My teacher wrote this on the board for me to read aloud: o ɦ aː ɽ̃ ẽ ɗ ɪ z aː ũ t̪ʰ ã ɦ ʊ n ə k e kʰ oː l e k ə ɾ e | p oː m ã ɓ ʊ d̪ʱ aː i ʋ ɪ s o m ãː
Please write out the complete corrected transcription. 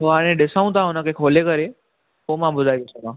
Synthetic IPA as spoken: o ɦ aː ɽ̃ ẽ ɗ ɪ s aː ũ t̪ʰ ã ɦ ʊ n ə k e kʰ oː l e k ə ɾ e | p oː m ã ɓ ʊ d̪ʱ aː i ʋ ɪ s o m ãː